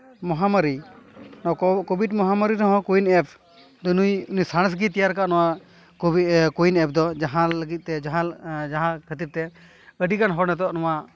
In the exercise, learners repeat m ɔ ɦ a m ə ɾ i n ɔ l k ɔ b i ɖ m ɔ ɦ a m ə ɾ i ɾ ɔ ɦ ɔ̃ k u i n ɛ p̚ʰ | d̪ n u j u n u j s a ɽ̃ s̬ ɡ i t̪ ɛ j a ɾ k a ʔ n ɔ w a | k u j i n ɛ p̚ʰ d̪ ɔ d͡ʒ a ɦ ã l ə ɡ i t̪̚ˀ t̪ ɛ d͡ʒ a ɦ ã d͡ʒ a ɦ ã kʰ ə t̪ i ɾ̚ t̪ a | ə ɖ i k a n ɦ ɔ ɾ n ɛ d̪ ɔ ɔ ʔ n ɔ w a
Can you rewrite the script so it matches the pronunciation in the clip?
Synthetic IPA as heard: m ɔ ɦ a m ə ɾ i n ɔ k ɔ b i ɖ m ɔ ɦ a m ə ɾ i ɾ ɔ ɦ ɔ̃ k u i n ɛ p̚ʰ | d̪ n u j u n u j s a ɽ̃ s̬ ɡ i t̪ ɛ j a ɾ k a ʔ n ɔ w a | k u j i n ɛ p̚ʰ d̪ ɔ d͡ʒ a ɦ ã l ə ɡ i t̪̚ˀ t̪ ɛ d͡ʒ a ɦ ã d͡ʒ a ɦ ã kʰ ə t̪ i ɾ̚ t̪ ɛ | ə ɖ i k a n ɦ ɔ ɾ n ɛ t̪ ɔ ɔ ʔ n ɔ w a